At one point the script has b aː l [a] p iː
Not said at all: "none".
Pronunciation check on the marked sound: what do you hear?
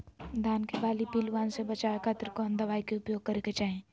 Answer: i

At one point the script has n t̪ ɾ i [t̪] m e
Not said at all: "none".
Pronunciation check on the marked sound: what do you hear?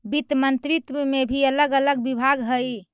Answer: t̪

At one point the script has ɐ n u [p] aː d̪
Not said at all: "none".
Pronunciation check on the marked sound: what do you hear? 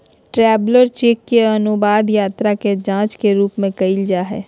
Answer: b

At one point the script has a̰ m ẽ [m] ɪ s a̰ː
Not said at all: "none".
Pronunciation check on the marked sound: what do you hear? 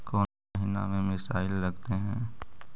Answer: m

